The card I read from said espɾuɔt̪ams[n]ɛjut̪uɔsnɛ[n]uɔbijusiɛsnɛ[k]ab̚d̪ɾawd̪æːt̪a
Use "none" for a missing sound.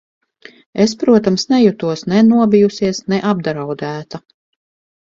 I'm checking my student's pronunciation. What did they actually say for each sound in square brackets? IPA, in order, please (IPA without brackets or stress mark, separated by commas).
n, n, ʔ